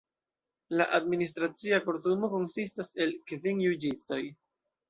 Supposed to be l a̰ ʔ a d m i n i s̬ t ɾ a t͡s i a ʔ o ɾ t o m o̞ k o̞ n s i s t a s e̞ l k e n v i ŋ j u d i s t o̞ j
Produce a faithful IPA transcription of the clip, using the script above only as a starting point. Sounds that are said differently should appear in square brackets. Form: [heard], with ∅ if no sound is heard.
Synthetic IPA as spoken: l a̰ ʔ a d m i n i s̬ t ɾ a t͡s i a [k] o ɾ t [u] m o̞ k o̞ n s i s t a s e̞ l k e [∅] v i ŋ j u [d͡ʒ] i s t o̞ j